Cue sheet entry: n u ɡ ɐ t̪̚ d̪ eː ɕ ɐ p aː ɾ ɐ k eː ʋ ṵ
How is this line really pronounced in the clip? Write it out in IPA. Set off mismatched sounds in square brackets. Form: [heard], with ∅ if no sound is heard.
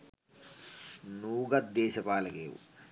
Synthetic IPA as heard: n [uː] ɡ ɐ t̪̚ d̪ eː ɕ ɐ p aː [l] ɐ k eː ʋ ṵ